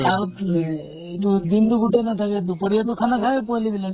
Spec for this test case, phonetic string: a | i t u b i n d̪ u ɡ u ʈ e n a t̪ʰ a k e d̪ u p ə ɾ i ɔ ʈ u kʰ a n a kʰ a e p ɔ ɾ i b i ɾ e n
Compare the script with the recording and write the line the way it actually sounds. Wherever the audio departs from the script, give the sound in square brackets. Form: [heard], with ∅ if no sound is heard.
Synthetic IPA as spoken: a | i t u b i n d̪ u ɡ u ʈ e n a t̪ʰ a k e d̪ u p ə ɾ i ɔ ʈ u kʰ a n a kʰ a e p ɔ [l] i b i [l] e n